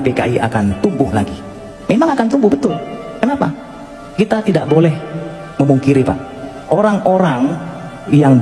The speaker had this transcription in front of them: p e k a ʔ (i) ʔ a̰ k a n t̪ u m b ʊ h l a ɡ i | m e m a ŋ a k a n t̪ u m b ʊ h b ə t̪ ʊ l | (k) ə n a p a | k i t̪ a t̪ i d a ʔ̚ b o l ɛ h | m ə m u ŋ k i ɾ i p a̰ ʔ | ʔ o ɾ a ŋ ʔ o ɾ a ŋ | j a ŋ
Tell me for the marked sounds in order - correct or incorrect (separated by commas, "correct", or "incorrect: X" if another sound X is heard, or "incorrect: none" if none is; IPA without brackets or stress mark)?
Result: correct, correct